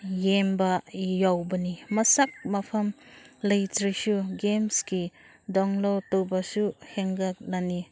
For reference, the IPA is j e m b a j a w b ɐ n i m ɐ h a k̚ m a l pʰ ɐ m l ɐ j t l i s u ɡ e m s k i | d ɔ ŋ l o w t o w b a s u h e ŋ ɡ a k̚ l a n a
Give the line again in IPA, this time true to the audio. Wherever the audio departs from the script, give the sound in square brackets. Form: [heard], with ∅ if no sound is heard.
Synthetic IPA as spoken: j e m b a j a w b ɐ n i m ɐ [s] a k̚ m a [∅] pʰ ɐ m l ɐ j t [ɾ] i s u ɡ e m s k i | d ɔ ŋ l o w t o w b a s u h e ŋ ɡ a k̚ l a n [i]